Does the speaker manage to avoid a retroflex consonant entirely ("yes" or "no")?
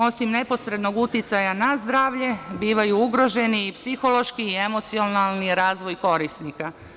yes